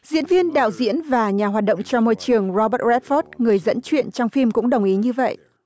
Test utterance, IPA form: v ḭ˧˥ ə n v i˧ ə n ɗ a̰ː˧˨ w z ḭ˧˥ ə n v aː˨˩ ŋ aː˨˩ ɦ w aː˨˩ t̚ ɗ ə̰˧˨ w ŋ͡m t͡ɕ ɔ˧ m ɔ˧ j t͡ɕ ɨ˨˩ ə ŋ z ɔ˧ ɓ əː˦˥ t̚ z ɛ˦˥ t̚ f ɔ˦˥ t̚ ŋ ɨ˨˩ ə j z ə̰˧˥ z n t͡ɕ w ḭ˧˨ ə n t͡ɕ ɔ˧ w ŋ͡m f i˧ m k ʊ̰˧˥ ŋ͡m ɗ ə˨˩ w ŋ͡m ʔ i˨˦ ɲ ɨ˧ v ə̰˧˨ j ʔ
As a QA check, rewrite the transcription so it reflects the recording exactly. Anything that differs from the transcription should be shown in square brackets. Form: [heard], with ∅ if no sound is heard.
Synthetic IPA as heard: [z] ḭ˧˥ ə n v i˧ ə n ɗ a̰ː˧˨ w z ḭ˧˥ ə n v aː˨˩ [ɲ] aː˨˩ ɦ w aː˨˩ t̚ ɗ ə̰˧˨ w ŋ͡m t͡ɕ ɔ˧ m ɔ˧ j t͡ɕ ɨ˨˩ ə ŋ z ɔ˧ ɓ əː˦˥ t̚ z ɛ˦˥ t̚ f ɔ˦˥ t̚ ŋ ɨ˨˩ ə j z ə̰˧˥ [∅] n t͡ɕ w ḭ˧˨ ə n t͡ɕ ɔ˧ w ŋ͡m f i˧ m k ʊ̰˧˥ ŋ͡m ɗ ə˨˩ w ŋ͡m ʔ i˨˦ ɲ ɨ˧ v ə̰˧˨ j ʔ

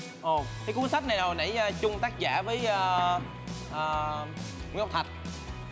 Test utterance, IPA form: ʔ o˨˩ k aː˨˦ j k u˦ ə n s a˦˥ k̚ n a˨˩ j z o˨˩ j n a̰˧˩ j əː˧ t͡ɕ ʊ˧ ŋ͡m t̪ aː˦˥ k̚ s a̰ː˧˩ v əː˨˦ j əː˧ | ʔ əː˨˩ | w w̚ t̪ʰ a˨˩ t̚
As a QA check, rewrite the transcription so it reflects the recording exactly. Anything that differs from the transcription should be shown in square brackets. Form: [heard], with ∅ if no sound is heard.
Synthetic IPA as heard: ʔ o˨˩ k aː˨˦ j k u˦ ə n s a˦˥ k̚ n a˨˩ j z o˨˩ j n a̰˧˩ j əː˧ t͡ɕ ʊ˧ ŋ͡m t̪ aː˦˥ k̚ [z] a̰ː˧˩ v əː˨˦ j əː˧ | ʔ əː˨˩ | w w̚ t̪ʰ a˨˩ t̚

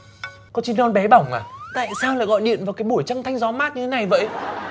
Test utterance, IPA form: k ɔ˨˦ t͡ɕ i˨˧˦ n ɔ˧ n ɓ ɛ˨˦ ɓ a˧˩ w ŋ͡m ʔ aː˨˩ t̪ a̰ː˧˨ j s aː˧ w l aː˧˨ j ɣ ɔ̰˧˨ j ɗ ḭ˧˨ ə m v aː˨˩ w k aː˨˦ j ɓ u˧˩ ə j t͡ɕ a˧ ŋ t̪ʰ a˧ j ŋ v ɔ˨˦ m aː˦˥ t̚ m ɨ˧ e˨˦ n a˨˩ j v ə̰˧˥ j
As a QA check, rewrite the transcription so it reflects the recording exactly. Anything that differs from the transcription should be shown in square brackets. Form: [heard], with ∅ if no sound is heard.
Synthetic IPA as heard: k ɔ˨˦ t͡ɕ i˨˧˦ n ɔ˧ n ɓ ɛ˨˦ ɓ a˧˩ w ŋ͡m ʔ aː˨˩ t̪ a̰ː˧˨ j s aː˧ w l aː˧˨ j ɣ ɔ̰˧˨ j ɗ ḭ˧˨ ə [n] v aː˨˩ w k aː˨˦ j ɓ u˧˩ ə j t͡ɕ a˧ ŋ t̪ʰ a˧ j ŋ [z] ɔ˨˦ m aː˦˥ t̚ [ɲ] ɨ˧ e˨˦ n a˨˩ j v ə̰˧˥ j

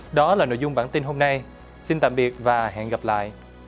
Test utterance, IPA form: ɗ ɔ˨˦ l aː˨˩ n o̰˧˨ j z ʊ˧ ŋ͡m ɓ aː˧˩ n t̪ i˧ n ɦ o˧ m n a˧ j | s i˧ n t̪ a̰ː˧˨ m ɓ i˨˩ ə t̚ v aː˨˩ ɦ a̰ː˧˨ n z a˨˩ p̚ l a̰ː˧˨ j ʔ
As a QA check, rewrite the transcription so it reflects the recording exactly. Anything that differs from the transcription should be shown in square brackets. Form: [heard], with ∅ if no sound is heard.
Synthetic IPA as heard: ɗ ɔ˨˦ l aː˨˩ n o̰˧˨ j z ʊ˧ ŋ͡m ɓ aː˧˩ n t̪ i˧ n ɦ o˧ m n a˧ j | s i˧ n t̪ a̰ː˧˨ m ɓ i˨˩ ə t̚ v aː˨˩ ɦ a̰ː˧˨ n [ɣ] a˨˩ p̚ l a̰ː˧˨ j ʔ

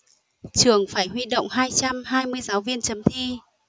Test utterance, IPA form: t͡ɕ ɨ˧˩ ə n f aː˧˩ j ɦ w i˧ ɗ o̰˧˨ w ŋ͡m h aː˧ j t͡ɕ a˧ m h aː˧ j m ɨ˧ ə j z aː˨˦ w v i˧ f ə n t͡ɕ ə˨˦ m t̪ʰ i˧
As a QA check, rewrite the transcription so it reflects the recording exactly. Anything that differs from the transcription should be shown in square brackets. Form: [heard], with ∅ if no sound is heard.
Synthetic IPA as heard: t͡ɕ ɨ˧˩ ə [ŋ] f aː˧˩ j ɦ w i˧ ɗ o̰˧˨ w ŋ͡m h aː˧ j t͡ɕ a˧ m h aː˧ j m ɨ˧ ə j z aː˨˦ w v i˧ [∅] ə n t͡ɕ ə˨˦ m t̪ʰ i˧

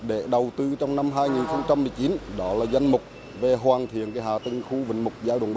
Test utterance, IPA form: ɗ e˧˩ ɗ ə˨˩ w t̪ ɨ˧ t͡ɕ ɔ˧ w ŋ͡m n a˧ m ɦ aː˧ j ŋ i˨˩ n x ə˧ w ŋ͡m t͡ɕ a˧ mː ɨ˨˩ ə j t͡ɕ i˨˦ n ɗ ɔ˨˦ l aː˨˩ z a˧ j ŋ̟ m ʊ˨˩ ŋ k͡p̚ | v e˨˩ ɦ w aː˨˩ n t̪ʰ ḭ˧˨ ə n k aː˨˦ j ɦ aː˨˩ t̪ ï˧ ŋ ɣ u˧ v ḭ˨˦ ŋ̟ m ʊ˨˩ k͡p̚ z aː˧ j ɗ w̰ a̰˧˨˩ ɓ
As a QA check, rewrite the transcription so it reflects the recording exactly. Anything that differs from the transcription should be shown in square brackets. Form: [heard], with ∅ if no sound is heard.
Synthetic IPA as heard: ɗ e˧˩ ɗ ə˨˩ w t̪ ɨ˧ t͡ɕ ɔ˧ w ŋ͡m n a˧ m ɦ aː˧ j ŋ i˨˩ n x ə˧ w ŋ͡m t͡ɕ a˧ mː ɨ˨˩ ə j t͡ɕ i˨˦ n ɗ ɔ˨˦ l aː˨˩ z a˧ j ŋ̟ m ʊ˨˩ [∅] k͡p̚ | v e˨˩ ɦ w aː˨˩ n t̪ʰ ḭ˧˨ ə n k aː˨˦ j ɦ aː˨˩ t̪ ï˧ ŋ [x] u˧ v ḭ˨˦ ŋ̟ m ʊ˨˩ k͡p̚ z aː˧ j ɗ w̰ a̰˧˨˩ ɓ

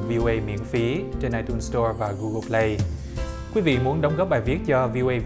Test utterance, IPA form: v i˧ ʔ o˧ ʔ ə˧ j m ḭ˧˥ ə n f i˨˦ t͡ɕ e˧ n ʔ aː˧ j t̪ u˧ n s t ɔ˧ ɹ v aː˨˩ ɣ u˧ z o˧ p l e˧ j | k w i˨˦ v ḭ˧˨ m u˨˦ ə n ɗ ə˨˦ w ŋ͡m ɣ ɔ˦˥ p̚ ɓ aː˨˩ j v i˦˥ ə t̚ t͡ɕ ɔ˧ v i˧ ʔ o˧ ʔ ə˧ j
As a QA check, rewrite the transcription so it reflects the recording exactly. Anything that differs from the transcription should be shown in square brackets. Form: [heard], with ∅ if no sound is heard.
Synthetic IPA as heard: v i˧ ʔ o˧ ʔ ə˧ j m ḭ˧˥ ə n f i˨˦ t͡ɕ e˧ n ʔ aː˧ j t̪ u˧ n s t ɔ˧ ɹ v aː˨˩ ɣ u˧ [ɣ] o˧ p l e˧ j | k w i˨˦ v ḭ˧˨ m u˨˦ ə n ɗ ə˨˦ w ŋ͡m ɣ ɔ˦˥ p̚ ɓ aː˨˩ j v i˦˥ ə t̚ t͡ɕ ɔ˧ v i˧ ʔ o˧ ʔ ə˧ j

